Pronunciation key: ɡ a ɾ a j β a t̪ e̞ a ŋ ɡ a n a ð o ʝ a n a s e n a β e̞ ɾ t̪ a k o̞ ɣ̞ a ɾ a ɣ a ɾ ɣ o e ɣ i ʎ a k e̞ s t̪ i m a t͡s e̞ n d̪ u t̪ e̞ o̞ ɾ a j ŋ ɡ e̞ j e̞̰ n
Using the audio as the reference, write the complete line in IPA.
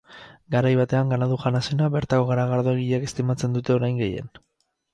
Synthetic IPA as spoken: ɡ a ɾ a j β a t̪ e̞ a ŋ ɡ a n a ð u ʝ a n a s e n a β e̞ ɾ t̪ a k o̞ ɣ̞ a ɾ a ɣ a ɾ ð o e ɣ i ʎ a k e̞ s t̪ i m a t͡s e̞ n d̪ u t̪ e̞ o̞ ɾ a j ŋ ɡ e̞ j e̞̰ n